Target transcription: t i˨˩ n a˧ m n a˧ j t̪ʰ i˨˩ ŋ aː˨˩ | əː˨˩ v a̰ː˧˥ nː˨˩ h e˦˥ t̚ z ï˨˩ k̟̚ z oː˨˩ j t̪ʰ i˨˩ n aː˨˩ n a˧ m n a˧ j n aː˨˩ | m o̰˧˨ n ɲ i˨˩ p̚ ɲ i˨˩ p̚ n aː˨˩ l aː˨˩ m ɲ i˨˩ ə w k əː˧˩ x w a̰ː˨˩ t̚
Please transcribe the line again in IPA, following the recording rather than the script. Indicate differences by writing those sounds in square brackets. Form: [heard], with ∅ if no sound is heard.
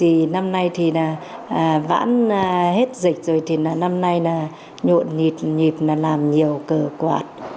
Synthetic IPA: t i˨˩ n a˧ m n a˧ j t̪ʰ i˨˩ [n] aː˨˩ | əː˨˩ v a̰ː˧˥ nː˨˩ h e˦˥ t̚ z ï˨˩ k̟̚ z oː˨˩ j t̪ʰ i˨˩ n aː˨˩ n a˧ m n a˧ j n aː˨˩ | [ɲ] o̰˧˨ n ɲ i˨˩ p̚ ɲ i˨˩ p̚ n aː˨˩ l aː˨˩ m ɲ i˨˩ ə w k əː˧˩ [k] w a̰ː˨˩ t̚